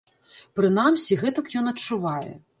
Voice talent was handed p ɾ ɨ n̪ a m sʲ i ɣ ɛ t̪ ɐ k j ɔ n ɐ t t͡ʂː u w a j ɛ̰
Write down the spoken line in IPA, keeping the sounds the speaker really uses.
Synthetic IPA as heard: p ɾ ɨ n̪ a m sʲ i ɣ ɛ t̪ ɐ k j ɔ n ɐ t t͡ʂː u v a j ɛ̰